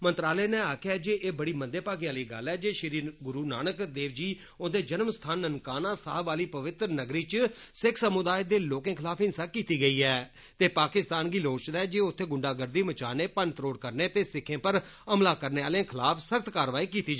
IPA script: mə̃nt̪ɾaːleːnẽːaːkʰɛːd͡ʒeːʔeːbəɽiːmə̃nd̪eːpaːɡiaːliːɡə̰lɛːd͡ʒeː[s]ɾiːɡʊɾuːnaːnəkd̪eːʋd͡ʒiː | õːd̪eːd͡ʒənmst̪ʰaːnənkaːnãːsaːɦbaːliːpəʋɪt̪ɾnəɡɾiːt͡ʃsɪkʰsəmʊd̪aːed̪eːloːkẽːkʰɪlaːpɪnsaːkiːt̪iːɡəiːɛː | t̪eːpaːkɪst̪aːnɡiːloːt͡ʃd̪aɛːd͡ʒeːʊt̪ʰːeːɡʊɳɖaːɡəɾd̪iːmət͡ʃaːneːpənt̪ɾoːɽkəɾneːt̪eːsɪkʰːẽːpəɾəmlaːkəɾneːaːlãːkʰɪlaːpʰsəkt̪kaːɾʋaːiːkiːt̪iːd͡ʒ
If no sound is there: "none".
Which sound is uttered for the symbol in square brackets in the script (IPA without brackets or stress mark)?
ʃ